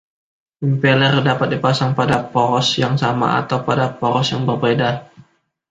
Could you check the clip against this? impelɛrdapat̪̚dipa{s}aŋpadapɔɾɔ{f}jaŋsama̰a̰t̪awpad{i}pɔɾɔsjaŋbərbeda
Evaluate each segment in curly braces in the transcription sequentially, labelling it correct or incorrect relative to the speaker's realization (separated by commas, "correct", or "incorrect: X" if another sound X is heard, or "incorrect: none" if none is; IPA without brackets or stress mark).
correct, incorrect: s, incorrect: a